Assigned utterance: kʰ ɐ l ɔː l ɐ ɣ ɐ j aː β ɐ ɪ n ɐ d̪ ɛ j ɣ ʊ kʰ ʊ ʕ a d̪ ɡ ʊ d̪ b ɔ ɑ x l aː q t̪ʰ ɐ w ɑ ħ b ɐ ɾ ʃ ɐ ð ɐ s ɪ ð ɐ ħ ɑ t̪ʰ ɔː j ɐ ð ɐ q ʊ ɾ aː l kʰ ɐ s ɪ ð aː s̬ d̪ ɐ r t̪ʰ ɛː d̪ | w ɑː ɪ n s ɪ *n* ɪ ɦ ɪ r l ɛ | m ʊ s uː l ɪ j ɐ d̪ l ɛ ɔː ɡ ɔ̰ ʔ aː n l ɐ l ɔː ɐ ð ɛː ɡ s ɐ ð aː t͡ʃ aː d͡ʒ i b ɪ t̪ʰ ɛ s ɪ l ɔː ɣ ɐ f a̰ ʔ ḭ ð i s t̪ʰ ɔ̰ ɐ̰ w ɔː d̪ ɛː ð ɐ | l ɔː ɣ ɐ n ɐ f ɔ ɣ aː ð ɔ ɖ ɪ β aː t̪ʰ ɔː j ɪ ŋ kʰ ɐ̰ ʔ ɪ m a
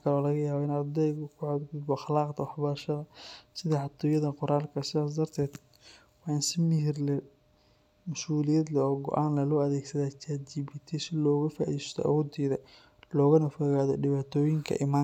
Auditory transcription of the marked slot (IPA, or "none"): m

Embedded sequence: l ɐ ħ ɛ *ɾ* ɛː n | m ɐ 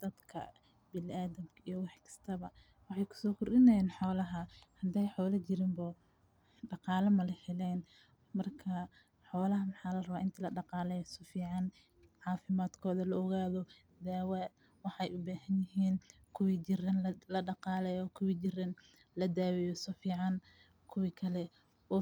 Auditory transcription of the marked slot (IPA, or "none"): l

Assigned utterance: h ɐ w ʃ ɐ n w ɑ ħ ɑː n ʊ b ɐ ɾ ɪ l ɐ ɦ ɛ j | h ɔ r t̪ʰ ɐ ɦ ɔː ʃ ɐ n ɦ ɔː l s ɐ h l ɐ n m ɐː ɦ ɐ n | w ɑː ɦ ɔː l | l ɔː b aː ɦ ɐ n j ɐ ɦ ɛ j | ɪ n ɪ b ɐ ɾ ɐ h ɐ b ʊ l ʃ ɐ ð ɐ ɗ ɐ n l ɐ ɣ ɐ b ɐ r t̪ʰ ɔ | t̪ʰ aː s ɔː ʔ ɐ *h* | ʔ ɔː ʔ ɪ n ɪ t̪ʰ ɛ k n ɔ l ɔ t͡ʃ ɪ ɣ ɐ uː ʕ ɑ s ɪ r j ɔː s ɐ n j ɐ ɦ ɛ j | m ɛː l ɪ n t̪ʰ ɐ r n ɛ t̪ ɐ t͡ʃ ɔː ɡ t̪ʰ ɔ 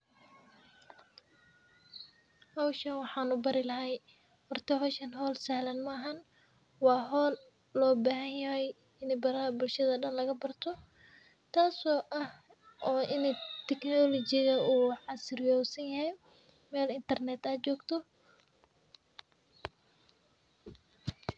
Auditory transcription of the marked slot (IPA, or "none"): h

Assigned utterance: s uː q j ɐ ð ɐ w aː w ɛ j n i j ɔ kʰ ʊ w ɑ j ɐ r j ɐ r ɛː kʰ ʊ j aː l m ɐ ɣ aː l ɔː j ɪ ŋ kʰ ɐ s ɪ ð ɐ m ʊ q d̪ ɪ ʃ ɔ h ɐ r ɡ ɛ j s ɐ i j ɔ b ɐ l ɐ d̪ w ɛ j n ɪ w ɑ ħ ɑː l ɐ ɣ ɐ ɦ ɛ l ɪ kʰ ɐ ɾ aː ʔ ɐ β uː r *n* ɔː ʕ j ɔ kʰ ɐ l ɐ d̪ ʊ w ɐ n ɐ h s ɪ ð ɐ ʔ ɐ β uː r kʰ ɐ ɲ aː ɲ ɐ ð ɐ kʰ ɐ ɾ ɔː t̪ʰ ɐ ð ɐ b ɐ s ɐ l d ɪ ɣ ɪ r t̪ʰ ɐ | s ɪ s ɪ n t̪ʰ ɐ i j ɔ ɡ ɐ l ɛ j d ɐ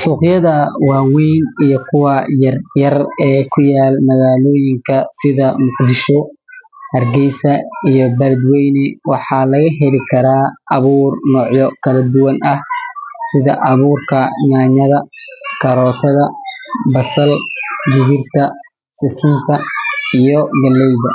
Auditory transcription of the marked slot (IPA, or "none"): n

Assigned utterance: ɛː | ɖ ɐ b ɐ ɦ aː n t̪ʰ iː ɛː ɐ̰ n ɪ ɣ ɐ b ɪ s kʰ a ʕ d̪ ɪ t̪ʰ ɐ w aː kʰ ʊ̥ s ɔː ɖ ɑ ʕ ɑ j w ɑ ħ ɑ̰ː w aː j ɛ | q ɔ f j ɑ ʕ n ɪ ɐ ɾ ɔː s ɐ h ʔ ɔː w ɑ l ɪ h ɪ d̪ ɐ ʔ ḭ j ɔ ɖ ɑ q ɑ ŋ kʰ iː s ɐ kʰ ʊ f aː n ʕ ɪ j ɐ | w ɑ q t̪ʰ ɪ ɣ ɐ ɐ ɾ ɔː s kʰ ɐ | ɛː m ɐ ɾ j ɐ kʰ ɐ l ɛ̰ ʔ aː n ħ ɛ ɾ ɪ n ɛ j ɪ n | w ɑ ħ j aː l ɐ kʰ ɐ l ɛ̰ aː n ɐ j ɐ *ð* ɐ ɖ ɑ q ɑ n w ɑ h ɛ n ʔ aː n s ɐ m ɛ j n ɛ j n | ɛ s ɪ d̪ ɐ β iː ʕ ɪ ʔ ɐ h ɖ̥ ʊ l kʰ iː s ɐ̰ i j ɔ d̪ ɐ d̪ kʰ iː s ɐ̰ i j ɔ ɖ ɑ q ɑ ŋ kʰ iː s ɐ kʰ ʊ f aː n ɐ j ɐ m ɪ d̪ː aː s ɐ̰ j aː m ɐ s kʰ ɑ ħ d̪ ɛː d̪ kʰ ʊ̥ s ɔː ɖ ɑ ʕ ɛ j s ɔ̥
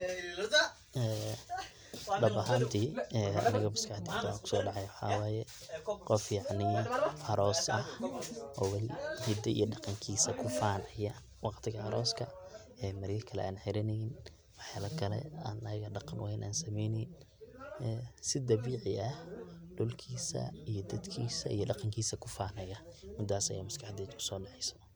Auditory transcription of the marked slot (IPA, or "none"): ɣ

